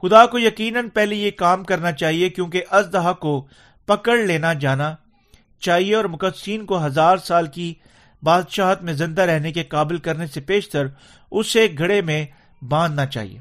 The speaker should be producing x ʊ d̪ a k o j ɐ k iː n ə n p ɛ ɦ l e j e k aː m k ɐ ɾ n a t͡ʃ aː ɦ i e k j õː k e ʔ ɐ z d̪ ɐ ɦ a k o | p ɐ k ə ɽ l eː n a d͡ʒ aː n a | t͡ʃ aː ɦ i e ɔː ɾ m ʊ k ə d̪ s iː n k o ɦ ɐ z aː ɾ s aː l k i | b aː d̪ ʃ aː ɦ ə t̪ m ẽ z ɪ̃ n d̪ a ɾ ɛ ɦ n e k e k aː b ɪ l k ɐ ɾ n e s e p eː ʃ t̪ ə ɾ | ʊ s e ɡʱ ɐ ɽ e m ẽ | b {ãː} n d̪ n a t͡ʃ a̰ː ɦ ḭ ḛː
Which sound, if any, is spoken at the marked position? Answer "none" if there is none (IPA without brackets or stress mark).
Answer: ãː